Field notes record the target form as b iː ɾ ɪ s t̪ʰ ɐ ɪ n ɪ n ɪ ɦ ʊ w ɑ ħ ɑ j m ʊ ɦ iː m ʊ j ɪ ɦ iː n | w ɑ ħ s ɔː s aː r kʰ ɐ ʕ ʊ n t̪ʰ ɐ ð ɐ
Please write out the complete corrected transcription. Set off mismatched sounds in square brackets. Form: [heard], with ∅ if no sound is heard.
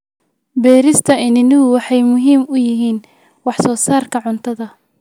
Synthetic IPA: b [ɛː] ɾ ɪ s t̪ʰ ɐ ɪ n ɪ n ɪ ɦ ʊ w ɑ ħ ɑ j m ʊ ɦ iː m ʊ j ɪ ɦ iː n | w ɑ ħ s ɔː s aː r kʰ ɐ ʕ ʊ n t̪ʰ ɐ ð ɐ